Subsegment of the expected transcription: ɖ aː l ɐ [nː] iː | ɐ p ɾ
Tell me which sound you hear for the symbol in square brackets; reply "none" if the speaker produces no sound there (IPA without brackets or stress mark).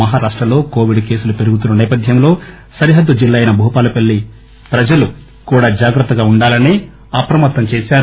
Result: n